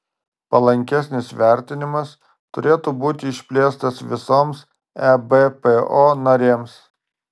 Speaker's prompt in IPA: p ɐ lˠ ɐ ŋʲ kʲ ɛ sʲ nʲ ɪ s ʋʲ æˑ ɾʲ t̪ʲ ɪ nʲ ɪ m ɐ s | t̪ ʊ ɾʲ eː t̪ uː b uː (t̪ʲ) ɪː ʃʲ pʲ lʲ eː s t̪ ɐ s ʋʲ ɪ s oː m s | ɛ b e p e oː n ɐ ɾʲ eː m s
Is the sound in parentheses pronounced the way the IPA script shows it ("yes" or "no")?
yes